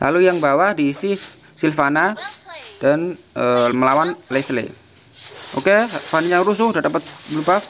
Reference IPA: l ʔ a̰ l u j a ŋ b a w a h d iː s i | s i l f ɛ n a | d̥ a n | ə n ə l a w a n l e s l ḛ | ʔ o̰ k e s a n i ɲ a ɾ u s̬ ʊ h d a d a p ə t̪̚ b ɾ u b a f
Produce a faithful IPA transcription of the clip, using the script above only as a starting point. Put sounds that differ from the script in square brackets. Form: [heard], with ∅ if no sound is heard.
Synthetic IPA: l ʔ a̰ l u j a ŋ b a w a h d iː s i | s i l f [a] n a | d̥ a n | ə [m] ə l a w a n l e s l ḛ | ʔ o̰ k e [f] a n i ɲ a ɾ u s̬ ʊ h d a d a p ə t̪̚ b [l] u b a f